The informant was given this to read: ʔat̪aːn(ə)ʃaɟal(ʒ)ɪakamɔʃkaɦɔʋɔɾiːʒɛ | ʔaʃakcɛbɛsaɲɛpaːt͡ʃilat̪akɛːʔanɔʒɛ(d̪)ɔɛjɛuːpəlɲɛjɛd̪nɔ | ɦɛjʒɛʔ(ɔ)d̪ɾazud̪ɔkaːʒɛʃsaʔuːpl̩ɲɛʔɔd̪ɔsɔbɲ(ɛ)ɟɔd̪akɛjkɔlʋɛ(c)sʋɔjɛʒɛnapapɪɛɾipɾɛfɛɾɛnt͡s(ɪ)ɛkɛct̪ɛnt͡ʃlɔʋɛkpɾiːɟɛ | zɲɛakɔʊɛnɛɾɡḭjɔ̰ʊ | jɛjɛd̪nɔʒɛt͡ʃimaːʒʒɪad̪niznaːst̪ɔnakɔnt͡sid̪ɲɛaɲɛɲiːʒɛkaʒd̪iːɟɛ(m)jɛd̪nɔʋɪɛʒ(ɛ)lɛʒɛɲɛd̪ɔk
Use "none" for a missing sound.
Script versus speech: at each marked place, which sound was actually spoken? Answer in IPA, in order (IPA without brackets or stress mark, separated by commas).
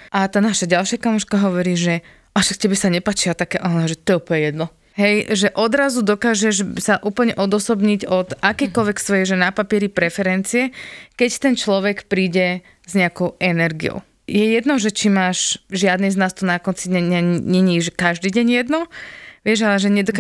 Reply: a, ʃ, t̪, ɔ, i, k, i, ɲ, a